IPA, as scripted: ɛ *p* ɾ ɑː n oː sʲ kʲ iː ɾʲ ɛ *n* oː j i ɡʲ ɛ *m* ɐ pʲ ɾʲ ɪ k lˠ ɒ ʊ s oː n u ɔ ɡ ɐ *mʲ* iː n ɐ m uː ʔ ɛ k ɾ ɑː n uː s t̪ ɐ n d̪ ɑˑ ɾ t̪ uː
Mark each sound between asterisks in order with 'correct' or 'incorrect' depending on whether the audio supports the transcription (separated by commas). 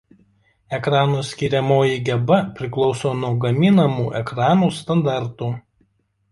incorrect, incorrect, incorrect, correct